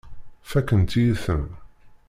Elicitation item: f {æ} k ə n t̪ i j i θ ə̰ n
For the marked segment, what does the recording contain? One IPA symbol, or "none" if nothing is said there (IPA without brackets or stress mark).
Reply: æ